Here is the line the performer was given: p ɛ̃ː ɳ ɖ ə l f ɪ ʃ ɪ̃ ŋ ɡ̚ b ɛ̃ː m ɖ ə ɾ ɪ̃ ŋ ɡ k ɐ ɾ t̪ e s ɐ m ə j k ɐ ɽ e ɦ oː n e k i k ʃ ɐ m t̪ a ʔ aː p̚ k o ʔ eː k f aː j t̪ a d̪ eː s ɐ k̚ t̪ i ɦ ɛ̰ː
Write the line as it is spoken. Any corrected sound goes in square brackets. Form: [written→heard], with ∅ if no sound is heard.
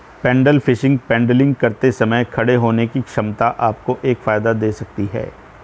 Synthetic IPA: p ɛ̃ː ɳ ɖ ə l f ɪ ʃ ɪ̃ ŋ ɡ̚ [b→p] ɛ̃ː [m→ɳ] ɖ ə [ɾ→l] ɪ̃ ŋ ɡ k ɐ ɾ t̪ e s ɐ m ə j [k→kʰ] ɐ ɽ e ɦ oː n e k i k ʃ ɐ m t̪ a ʔ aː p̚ k o ʔ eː k f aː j [t̪→d̪] a d̪ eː s ɐ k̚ t̪ i ɦ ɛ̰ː